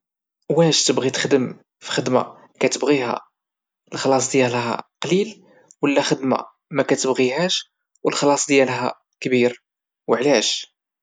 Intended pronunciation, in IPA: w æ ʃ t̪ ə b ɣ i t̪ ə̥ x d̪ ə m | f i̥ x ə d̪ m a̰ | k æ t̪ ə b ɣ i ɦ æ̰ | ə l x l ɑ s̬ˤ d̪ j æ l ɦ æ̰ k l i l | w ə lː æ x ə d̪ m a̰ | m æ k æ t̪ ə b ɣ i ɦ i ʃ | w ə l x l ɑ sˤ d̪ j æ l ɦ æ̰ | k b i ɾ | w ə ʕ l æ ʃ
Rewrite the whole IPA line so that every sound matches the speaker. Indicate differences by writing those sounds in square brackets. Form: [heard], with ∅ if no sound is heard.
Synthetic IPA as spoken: w æ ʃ t̪ ə b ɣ i t̪ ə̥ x d̪ ə m | f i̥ x ə d̪ m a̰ | k æ t̪ ə b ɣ i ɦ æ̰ | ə l x l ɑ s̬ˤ d̪ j æ l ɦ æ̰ [q] l i l | w ə lː æ x ə d̪ m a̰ | m æ k æ t̪ ə b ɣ i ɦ [æ] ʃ | w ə l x l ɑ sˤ d̪ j æ l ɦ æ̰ | k b i ɾ | w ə ʕ l æ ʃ